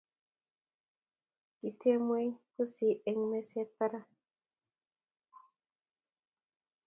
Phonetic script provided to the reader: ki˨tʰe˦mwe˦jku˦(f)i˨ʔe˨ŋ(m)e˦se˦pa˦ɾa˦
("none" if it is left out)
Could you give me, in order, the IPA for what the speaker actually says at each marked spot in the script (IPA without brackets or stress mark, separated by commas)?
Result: s, m